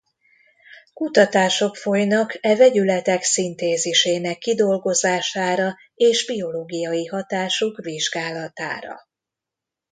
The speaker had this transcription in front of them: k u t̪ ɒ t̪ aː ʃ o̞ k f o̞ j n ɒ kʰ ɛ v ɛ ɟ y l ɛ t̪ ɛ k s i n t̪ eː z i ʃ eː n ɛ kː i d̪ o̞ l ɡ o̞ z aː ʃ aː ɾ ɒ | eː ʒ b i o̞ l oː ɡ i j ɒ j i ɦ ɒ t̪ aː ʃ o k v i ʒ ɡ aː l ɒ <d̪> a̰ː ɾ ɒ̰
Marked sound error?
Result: yes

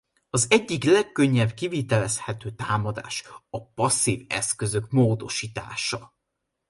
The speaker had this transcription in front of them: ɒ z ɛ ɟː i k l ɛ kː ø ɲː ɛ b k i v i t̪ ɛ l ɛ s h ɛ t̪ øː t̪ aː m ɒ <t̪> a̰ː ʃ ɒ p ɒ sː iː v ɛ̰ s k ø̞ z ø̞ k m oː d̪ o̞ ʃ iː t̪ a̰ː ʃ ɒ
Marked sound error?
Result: yes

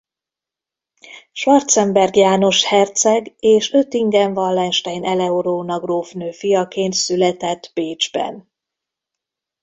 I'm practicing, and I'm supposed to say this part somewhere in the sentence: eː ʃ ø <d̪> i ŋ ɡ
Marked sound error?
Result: yes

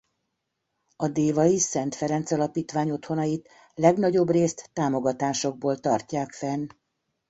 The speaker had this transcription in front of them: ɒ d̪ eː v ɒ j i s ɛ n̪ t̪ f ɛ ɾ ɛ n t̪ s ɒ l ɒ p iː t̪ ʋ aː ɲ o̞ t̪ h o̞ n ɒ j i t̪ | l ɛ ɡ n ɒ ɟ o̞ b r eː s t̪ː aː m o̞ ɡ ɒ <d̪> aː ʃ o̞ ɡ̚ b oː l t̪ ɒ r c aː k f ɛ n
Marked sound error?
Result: yes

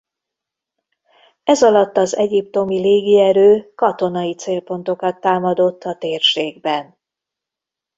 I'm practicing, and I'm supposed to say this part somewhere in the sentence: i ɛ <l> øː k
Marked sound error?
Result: yes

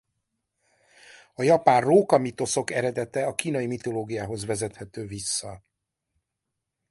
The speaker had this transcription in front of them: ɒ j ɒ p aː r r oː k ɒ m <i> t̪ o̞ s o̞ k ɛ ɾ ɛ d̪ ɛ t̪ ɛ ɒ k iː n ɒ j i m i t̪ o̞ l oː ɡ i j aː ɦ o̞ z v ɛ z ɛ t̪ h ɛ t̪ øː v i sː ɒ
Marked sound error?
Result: no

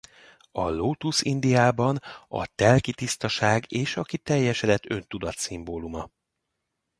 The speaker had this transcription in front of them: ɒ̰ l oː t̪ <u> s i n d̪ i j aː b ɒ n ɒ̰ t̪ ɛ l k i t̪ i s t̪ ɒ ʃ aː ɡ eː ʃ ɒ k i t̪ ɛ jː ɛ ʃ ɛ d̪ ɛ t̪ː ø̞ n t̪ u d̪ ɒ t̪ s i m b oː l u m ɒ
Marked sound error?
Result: no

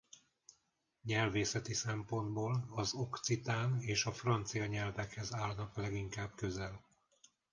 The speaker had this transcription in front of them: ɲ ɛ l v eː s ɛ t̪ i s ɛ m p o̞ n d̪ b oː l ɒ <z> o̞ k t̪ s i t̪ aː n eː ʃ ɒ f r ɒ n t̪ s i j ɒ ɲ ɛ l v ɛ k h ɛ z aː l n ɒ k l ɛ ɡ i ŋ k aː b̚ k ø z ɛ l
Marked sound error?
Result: no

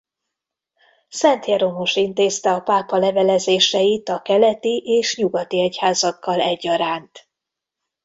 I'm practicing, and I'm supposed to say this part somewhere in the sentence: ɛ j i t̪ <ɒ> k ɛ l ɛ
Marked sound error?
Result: no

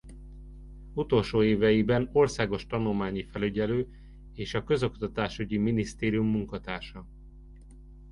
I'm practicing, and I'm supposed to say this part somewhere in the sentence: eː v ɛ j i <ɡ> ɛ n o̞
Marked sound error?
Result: yes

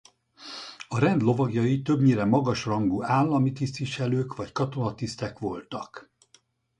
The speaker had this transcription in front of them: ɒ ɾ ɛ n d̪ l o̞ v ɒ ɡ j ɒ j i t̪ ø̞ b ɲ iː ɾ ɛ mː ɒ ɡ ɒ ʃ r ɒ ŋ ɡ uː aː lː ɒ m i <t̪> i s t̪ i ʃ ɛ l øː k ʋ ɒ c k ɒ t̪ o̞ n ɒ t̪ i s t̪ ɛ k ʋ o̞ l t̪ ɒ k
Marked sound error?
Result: no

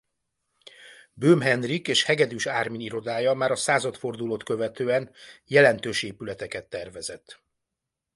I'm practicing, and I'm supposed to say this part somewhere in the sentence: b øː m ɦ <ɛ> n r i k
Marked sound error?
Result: no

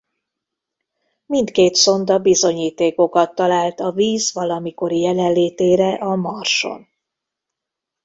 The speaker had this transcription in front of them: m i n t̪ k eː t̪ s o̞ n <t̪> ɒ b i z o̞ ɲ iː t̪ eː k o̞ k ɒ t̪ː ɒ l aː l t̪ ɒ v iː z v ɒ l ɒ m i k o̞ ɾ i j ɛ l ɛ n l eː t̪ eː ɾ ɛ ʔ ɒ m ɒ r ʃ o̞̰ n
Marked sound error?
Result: yes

